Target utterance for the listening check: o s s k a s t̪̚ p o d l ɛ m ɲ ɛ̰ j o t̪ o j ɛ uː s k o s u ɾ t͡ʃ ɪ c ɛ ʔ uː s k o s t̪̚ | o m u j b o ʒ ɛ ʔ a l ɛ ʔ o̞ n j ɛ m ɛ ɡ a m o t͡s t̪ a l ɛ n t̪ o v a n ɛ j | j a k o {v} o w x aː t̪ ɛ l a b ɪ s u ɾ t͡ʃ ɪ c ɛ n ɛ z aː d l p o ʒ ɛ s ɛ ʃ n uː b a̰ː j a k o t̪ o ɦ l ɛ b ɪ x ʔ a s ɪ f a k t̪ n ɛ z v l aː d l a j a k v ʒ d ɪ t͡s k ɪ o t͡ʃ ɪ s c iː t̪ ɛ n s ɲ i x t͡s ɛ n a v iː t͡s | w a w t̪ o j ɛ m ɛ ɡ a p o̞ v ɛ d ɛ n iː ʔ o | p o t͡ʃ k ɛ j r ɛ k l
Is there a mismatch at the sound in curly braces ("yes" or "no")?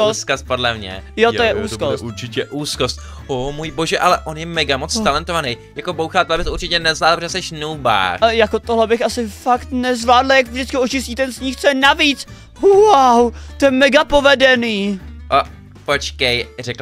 yes